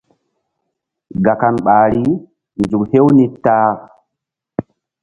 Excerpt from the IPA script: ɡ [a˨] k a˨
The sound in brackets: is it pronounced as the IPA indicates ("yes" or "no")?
yes